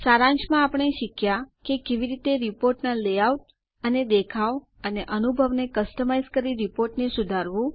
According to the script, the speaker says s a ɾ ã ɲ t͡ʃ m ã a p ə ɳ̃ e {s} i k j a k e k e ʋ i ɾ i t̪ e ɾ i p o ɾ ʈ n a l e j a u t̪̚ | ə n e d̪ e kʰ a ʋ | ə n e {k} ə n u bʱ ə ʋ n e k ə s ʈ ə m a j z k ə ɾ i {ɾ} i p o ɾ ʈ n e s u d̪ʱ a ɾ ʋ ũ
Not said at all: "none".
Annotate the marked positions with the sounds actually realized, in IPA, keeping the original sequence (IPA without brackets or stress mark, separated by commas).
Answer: ʃ, ʔ, ɾ